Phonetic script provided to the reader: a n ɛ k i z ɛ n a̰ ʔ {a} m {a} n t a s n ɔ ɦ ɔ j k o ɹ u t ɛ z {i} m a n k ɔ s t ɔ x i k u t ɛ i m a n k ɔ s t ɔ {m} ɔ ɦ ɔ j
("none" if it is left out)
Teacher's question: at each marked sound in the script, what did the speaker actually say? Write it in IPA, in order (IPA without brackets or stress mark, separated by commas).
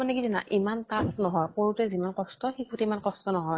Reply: i, a, i, n